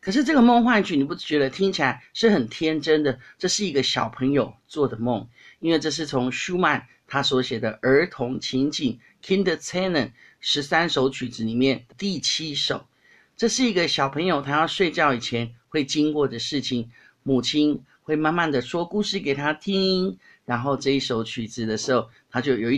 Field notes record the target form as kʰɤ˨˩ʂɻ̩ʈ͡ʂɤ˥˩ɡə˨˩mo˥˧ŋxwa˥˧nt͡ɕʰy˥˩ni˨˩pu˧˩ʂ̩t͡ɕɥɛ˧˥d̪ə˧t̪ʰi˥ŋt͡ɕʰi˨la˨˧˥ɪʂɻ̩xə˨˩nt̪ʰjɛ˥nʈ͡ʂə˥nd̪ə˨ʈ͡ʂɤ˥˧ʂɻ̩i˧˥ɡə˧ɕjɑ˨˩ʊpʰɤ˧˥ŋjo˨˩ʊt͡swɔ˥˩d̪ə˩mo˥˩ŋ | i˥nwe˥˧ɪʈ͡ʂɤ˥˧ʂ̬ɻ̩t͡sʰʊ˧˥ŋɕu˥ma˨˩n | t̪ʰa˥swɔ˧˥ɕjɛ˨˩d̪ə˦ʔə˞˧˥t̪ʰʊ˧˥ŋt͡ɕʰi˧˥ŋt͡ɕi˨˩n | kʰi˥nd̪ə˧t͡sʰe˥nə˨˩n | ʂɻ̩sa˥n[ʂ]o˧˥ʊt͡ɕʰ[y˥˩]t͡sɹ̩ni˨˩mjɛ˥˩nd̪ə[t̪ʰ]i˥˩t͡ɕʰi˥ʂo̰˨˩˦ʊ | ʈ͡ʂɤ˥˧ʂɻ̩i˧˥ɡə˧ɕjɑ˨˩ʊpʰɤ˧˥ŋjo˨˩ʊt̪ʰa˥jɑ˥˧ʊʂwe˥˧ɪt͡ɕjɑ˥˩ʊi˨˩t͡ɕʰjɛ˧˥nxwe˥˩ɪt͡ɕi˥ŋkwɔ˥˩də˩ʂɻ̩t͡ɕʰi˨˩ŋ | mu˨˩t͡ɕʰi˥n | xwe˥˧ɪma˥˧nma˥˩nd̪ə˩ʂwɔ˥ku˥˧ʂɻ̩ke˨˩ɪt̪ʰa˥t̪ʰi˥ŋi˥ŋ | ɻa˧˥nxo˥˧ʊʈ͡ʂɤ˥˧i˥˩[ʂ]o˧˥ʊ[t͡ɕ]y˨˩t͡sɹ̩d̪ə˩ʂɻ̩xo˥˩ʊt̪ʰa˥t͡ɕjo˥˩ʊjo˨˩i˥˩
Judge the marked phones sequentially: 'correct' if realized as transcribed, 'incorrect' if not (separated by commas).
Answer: correct, incorrect, incorrect, correct, incorrect